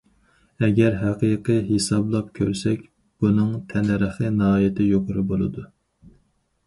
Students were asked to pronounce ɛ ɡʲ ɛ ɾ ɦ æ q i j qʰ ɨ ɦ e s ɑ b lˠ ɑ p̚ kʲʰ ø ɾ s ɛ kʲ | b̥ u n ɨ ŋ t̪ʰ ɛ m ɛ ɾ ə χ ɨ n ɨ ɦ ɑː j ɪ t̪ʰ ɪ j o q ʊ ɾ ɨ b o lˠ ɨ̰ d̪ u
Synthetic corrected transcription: ɛ ɡʲ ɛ ɾ ɦ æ q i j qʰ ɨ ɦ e s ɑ b lˠ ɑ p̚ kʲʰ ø ɾ s ɛ kʲ | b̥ u n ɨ ŋ t̪ʰ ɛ n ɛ ɾ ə χ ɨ n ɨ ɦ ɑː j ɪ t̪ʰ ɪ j o q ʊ ɾ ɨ b o lˠ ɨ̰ d̪ u

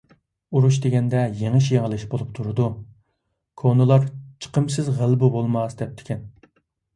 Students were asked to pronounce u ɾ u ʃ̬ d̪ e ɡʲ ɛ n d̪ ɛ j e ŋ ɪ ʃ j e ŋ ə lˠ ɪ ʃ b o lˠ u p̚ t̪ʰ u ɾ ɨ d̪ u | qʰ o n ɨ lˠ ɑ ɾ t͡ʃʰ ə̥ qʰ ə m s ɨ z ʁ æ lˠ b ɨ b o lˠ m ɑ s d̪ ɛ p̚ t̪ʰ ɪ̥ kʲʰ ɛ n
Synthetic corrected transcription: u ɾ u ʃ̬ d̪ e ɡʲ ɛ n d̪ ɛ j e ŋ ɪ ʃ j e ŋ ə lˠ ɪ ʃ b o lˠ u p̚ t̪ʰ u ɾ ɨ d̪ u | kʰ o n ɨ lˠ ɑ ɾ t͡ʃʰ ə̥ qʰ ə m s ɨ z ʁ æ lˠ b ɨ b o lˠ m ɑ s d̪ ɛ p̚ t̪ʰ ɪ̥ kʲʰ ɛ n

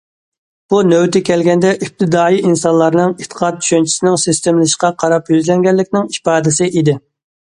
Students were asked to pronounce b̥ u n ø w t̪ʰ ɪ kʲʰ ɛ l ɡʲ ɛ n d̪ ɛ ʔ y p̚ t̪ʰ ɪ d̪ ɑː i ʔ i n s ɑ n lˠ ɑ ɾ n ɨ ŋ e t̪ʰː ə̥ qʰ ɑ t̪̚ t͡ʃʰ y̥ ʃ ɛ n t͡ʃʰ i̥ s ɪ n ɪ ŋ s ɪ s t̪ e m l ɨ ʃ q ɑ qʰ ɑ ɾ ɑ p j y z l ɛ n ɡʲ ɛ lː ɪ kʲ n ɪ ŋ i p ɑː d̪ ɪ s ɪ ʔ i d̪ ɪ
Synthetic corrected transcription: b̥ u n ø w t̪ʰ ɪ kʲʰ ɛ l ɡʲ ɛ n d̪ ɛ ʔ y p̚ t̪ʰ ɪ d̪ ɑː i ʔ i n s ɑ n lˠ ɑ ɾ n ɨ ŋ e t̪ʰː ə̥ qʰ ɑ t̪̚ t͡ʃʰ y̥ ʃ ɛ n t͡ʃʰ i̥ s ɪ n ɪ ŋ s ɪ s t̪ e m l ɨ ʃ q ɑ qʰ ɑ ɾ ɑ p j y z l ɛ ŋ ɡʲ ɛ lː ɪ kʲ n ɪ ŋ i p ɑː d̪ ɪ s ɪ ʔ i d̪ ɪ

